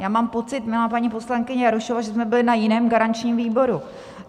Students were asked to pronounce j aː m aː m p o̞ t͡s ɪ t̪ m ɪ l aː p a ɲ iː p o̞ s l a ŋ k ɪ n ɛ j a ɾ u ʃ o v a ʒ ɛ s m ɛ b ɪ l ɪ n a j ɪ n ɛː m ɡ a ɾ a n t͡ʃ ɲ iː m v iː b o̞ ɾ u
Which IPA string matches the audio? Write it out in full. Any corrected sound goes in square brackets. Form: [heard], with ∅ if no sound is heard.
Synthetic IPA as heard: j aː m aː m p o̞ t͡s ɪ t̪ m ɪ l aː p a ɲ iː p o̞ s l a ŋ k ɪ [ɲ] ɛ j a ɾ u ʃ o v a ʒ ɛ s m ɛ b ɪ l ɪ n a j ɪ n ɛː m ɡ a ɾ a n t͡ʃ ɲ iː m v iː b o̞ ɾ u